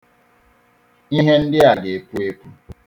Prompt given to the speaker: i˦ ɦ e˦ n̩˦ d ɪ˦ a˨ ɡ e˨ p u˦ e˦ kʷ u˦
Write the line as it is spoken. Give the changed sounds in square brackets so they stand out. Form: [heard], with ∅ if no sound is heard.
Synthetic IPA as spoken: i˦ ɦ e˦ n̩˦ d ɪ˦ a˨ ɡ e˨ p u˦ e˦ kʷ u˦